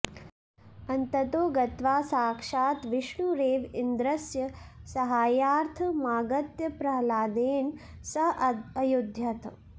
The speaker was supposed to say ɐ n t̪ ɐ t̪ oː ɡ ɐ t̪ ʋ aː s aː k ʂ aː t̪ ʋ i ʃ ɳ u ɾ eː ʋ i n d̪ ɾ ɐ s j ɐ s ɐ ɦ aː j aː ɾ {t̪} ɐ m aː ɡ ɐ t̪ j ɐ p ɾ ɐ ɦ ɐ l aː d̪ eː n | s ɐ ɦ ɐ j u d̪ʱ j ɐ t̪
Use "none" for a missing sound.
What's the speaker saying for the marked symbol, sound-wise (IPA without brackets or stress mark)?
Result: t̪ʰ